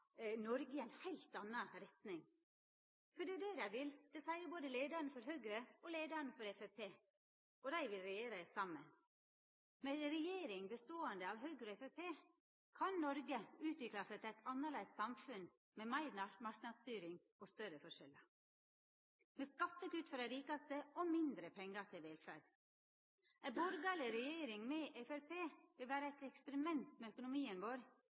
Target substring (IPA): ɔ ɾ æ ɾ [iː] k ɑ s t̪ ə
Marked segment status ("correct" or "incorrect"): correct